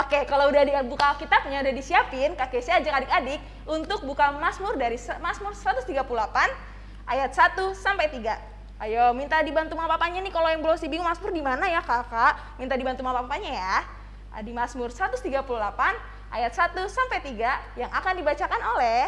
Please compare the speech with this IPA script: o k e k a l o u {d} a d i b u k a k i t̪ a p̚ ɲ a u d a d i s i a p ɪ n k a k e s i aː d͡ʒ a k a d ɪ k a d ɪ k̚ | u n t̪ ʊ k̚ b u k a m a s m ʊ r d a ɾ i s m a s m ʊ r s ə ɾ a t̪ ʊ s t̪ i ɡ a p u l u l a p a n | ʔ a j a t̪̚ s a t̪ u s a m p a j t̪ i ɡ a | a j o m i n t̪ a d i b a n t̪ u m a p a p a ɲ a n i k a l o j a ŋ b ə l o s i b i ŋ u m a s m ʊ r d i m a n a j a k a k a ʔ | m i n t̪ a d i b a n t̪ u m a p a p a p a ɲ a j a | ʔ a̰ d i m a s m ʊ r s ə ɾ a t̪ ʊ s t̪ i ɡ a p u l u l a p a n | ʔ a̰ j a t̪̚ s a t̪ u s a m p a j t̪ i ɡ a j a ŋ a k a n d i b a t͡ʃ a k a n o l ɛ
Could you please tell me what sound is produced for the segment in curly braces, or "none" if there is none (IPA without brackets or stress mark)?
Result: d